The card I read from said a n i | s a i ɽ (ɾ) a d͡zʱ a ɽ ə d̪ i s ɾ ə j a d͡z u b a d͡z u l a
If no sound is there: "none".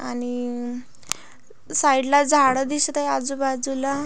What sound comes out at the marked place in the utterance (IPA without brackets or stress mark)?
l